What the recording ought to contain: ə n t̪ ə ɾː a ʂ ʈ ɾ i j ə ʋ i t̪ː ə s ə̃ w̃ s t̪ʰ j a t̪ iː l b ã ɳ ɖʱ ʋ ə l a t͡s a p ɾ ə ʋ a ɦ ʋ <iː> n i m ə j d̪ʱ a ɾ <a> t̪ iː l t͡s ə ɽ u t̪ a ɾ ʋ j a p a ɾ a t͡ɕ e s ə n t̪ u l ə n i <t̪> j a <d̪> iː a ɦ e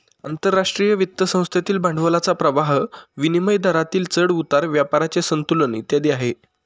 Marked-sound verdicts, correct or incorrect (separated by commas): incorrect, correct, correct, correct